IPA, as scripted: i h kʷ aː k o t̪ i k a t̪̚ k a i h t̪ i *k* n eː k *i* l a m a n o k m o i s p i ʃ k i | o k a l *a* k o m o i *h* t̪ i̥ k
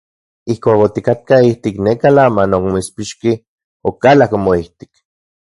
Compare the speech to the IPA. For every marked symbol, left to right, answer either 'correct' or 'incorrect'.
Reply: correct, incorrect: a, correct, correct

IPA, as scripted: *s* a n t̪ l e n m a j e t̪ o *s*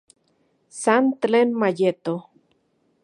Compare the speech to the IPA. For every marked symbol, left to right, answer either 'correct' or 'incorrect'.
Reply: correct, incorrect: none

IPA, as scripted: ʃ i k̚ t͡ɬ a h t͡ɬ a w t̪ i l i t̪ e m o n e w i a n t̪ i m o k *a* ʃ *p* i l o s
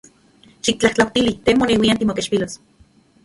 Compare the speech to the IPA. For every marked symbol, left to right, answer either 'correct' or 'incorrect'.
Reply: incorrect: e, correct

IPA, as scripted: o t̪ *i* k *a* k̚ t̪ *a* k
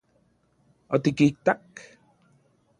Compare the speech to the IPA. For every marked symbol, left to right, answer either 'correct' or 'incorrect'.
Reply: correct, incorrect: i, correct

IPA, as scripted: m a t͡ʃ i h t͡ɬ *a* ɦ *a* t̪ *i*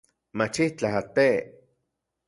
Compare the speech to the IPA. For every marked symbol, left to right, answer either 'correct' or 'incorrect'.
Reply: correct, correct, incorrect: e

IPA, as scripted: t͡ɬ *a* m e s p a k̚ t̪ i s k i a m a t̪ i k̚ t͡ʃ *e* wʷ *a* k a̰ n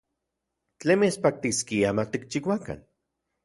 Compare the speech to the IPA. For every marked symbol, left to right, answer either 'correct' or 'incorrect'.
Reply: incorrect: e, incorrect: i, correct

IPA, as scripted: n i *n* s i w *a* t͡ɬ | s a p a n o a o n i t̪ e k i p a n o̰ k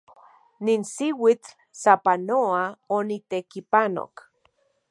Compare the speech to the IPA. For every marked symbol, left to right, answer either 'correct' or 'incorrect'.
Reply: correct, incorrect: i

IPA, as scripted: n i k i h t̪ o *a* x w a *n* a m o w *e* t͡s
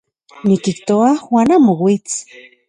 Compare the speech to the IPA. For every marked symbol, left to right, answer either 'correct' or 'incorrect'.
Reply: correct, correct, incorrect: i

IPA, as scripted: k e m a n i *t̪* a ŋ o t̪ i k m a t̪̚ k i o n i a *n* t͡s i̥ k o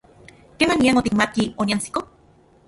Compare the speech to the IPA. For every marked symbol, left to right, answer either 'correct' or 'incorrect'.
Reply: incorrect: none, correct

